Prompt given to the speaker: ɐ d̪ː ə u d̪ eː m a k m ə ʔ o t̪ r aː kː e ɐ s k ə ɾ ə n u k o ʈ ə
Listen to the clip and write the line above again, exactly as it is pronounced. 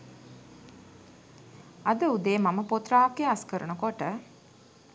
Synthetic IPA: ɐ d̪ ə u d̪ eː m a m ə p o t̪ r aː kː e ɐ s k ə ɾ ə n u k o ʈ ə

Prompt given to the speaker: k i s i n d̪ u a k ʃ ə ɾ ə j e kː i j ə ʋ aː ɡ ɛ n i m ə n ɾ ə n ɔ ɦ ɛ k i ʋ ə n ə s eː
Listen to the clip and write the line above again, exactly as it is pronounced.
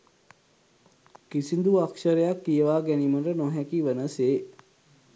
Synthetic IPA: k i s i n d̪ u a k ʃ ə ɾ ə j a kː i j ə ʋ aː ɡ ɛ n i m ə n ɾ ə n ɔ ɦ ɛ k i ʋ ə n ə s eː

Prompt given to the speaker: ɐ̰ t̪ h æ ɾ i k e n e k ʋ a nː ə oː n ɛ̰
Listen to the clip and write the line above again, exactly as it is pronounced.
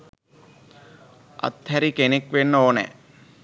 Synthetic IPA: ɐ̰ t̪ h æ ɾ i k e n e k ʋ e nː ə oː n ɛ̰

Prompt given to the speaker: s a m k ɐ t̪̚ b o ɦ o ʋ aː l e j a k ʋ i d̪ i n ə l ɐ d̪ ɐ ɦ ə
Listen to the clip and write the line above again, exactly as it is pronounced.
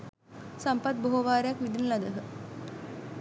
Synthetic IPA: s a m p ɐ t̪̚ b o ɦ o ʋ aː ɾ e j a k ʋ i d̪ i n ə l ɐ d̪ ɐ ɦ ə

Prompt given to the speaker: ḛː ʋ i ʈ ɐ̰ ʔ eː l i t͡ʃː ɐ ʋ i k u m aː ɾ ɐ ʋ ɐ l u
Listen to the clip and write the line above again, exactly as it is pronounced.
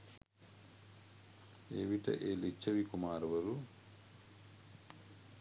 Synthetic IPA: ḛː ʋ i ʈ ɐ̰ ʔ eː l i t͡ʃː ɐ ʋ i k u m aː ɾ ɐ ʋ ɐ ɾ u

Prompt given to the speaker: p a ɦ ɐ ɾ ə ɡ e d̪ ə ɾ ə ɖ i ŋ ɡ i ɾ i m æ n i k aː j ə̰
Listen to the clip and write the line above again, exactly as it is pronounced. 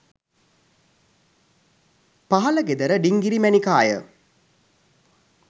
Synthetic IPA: p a ɦ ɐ l ə ɡ e d̪ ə ɾ ə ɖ i ŋ ɡ i ɾ i m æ n i k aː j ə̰

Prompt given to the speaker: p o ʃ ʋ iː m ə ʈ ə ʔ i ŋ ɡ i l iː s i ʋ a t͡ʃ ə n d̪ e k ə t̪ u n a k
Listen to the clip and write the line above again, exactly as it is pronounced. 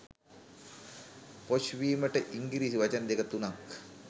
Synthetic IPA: p o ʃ ʋ iː m ə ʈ ə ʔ i ŋ ɡ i ɾ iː s i ʋ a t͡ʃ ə n d̪ e k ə t̪ u n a k

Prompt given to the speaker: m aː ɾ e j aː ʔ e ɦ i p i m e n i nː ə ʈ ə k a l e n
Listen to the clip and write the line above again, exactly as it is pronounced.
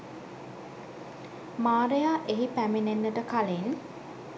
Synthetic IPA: m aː ɾ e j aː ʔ e ɦ i p æ m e n e nː ə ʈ ə k a l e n

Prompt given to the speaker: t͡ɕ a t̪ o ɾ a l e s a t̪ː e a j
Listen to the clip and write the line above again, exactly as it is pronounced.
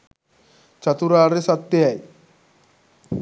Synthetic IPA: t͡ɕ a t̪ u ɾ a ɾ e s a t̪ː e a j

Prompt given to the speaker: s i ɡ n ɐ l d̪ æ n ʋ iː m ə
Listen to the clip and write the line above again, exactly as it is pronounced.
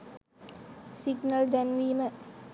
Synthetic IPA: s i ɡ n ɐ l d̪ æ n ʋ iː m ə

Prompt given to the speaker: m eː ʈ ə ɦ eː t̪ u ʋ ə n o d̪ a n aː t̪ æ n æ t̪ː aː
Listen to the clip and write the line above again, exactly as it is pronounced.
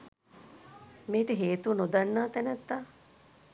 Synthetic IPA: m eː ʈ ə ɦ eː t̪ u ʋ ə n o d̪ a nː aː t̪ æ n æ t̪ː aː

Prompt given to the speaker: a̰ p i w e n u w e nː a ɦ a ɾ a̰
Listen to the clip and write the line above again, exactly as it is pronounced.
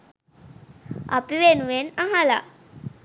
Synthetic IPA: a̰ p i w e n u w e n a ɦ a l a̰

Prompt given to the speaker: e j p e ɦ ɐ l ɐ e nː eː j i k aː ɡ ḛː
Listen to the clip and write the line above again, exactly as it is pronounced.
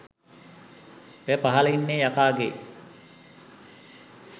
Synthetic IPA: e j p a ɦ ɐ l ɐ i nː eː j a k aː ɡ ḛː

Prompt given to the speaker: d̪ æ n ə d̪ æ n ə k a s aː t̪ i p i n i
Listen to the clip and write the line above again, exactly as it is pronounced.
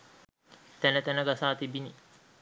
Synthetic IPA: t̪ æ n ə t̪ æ n ə ɡ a s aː t̪ i b i n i

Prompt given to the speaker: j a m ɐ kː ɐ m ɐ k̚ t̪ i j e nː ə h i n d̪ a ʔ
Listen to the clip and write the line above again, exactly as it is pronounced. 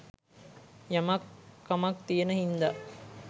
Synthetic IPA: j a m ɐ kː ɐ m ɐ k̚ t̪ i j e n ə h i n d̪ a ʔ

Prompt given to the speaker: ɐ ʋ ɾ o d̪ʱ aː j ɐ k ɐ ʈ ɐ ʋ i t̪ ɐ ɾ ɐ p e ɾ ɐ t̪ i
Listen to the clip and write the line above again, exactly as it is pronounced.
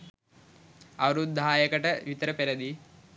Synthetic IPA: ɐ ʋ ɾ u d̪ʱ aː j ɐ k ɐ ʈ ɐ ʋ i t̪ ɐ ɾ ɐ p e ɾ ɐ d̪ i

